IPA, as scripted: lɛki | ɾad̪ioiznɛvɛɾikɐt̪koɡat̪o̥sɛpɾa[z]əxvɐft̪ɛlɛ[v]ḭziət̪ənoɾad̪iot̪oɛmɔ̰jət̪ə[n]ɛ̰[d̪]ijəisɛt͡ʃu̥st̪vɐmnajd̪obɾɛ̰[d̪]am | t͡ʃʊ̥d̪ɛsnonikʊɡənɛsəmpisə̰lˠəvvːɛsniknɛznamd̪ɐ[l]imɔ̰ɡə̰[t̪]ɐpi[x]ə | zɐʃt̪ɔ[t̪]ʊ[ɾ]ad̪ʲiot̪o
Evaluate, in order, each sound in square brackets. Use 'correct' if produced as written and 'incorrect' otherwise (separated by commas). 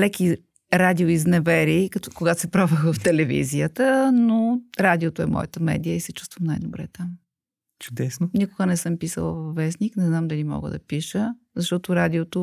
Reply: incorrect, correct, incorrect, correct, incorrect, correct, incorrect, incorrect, correct, correct